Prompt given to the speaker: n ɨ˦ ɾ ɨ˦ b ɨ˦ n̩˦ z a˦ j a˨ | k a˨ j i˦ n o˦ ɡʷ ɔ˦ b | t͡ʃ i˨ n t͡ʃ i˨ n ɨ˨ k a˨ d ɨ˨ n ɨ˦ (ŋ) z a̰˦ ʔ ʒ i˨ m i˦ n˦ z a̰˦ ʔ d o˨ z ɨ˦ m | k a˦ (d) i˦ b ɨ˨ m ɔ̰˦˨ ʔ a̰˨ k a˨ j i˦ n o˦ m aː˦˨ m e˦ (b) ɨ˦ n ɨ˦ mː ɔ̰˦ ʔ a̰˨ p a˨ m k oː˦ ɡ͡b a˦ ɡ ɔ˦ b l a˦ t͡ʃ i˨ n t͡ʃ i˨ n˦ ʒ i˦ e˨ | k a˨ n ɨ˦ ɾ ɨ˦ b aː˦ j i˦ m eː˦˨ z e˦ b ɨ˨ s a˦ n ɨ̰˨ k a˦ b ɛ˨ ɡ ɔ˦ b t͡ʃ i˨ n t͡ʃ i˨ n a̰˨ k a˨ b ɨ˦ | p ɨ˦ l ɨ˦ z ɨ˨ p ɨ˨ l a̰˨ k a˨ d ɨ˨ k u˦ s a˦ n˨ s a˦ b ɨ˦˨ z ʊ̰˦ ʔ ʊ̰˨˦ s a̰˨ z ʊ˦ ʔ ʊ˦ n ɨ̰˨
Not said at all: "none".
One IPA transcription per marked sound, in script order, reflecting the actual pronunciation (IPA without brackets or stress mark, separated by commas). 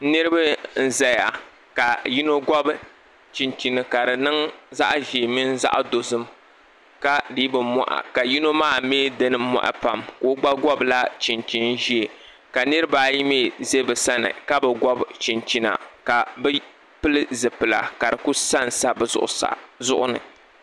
ŋ, d, d